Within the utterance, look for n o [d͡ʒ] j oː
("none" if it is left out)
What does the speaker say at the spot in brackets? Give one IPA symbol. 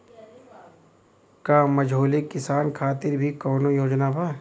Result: none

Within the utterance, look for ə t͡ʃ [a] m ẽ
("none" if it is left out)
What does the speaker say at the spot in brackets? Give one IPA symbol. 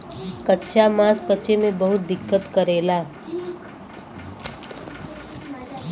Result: e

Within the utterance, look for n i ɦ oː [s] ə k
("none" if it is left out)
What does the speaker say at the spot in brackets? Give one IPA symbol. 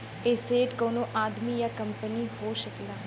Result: ʃ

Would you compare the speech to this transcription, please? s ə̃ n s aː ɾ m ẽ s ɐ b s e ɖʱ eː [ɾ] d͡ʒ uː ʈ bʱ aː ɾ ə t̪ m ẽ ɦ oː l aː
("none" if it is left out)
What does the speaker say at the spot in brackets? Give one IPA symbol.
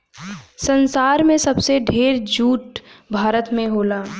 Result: ɾ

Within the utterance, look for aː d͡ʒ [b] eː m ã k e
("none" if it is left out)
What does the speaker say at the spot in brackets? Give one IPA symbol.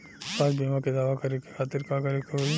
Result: b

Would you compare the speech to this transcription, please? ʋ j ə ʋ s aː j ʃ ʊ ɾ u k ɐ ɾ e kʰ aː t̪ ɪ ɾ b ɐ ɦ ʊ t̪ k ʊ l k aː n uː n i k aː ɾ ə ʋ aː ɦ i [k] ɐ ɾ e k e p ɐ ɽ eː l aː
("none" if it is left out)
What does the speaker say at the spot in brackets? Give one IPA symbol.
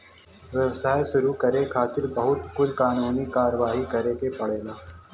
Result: k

